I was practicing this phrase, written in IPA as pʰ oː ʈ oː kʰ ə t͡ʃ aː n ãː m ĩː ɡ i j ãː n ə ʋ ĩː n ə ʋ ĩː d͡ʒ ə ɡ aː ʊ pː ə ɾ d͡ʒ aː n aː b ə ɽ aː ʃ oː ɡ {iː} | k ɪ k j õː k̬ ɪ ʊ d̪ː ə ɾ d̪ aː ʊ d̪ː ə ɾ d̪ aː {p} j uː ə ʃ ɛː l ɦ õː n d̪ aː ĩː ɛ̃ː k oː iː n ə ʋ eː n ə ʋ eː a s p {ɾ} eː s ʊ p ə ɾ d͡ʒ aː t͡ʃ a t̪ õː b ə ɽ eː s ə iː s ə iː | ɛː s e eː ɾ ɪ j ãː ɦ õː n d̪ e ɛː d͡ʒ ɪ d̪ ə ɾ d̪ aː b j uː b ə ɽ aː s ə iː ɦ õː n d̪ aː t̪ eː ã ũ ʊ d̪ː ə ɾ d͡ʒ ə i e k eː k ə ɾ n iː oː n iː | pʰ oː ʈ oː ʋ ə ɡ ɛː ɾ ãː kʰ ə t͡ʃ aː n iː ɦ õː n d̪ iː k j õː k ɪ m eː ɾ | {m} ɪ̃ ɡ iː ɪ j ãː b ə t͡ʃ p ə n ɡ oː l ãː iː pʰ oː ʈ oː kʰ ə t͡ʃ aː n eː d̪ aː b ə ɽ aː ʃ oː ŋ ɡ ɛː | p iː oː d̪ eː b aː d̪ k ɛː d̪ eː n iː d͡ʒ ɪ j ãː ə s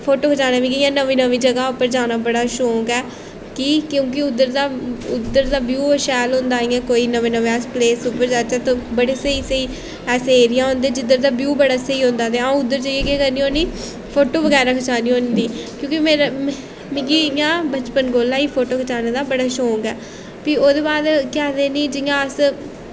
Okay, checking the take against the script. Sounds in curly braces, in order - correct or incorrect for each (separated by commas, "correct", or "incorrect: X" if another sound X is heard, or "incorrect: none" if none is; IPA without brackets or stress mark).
incorrect: ɛː, incorrect: b, incorrect: l, correct